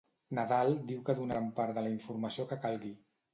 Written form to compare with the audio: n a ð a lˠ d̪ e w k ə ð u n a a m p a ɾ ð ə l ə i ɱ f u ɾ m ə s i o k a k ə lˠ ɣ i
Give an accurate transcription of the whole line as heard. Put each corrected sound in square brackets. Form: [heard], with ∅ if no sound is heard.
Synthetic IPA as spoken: n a ð a lˠ d̪ [i] w k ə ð u n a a m p a ɾ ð ə l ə i ɱ f u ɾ m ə s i o k [ə] k [a] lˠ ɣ i